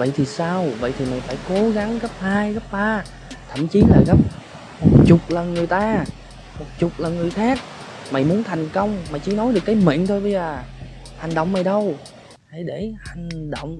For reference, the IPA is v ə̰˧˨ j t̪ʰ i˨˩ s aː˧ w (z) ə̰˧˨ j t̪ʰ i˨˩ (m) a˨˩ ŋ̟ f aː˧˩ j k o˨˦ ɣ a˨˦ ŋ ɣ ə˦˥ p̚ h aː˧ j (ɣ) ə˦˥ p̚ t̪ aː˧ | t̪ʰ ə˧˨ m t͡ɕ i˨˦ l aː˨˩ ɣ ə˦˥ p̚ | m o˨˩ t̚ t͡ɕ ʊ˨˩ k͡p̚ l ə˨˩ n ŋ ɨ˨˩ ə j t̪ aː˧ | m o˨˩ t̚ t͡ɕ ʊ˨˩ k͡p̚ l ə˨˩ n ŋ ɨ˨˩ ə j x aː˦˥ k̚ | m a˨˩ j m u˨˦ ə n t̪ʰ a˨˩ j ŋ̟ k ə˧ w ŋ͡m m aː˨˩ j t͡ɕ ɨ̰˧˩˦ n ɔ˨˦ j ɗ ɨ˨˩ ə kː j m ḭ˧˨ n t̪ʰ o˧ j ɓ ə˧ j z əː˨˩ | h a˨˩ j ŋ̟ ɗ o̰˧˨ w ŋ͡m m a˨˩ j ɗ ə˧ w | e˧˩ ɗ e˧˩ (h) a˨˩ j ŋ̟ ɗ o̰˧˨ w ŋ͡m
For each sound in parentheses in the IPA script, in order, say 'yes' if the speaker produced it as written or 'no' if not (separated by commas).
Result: no, yes, yes, yes